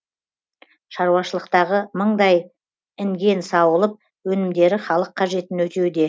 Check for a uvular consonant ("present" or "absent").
present